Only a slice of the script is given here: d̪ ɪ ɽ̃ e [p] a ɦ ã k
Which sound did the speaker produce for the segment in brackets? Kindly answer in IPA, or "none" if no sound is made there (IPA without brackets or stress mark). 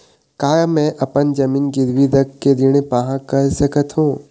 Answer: p